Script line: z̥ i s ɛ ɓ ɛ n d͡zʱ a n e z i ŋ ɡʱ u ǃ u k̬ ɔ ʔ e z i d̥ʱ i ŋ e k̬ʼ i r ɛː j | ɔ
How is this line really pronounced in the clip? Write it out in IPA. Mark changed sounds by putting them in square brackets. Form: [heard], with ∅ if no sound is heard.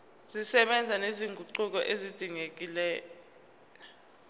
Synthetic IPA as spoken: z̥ i s ɛ ɓ ɛ n d͡zʱ a n e z i ŋ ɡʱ u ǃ u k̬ ɔ ʔ e z i d̥ʱ i ŋ e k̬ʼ i [l] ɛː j | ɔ